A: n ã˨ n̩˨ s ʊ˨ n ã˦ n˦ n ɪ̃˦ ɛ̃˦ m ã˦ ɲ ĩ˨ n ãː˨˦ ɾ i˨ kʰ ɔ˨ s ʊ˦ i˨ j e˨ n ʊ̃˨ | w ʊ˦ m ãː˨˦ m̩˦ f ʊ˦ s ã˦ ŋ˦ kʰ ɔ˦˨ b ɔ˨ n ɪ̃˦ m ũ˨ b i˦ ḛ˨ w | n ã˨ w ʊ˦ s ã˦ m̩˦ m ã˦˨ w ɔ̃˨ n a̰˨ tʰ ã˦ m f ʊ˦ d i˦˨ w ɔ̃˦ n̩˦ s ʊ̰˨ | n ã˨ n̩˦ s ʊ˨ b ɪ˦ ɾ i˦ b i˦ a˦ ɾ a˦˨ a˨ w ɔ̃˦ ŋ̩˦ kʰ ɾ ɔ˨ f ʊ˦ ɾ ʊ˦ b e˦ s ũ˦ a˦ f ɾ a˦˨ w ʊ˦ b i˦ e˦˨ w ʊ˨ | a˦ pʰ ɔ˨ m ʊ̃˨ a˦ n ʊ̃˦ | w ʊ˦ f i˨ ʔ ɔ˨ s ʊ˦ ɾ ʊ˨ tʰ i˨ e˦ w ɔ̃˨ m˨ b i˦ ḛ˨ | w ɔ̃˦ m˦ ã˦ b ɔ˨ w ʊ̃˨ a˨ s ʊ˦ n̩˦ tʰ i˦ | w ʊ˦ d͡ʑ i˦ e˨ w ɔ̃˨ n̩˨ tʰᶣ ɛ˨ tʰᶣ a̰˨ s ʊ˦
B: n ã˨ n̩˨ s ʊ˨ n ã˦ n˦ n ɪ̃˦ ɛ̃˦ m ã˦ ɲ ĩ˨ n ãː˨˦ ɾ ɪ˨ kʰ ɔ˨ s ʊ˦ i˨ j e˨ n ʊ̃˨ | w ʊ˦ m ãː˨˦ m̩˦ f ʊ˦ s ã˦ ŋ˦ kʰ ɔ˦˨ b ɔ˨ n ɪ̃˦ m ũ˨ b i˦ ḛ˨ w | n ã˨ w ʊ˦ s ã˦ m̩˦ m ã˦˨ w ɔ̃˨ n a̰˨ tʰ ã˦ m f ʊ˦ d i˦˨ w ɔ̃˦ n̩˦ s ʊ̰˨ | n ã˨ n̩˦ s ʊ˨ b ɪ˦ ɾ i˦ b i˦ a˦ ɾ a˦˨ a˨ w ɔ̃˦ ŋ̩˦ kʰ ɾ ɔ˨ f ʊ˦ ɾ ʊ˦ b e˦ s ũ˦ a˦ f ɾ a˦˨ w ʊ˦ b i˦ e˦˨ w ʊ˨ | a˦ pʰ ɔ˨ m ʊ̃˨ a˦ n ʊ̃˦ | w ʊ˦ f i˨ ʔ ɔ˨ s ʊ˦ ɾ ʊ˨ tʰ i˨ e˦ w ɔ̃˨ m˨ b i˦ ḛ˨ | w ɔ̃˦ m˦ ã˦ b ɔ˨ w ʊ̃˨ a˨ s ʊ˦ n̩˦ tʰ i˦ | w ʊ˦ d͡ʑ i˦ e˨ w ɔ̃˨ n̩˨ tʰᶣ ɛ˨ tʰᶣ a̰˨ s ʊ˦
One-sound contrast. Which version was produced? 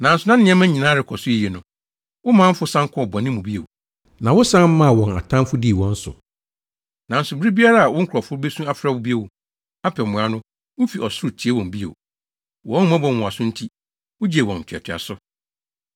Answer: B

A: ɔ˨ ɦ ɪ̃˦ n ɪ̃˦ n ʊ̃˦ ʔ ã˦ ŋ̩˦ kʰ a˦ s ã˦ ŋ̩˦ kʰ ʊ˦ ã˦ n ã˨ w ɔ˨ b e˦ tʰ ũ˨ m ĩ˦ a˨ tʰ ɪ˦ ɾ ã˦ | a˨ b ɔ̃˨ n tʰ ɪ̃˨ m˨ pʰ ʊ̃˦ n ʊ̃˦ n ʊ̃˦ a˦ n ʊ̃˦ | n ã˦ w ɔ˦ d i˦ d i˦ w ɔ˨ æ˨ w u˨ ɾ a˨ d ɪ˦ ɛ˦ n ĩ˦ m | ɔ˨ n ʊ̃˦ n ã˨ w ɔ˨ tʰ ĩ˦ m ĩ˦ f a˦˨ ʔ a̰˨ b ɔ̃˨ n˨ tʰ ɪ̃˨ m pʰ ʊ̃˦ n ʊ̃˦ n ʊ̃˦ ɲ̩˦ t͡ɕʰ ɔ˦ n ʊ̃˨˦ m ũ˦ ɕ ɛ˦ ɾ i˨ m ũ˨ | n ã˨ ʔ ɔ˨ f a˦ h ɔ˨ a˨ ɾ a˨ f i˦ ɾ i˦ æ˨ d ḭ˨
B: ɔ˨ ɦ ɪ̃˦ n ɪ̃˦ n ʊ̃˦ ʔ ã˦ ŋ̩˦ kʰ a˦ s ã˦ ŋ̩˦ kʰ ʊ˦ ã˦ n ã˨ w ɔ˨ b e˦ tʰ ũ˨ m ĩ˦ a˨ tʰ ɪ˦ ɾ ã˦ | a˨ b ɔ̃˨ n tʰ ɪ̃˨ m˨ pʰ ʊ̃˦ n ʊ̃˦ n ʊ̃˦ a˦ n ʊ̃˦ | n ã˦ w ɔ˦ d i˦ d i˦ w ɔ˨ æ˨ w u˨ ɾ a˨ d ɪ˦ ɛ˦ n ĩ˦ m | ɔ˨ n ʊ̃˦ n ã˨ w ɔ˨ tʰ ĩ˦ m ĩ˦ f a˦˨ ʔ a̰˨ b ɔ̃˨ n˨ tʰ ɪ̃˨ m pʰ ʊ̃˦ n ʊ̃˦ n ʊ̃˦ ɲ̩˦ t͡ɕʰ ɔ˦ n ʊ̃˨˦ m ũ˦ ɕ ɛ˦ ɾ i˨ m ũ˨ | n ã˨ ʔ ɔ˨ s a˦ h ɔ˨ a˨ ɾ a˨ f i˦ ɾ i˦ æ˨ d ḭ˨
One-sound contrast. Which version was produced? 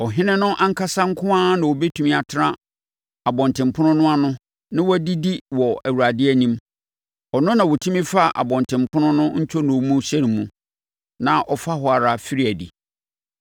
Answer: A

